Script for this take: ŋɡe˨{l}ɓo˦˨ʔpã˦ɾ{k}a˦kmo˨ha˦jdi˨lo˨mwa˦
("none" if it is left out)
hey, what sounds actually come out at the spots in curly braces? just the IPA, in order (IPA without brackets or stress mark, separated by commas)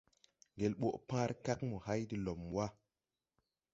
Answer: l, k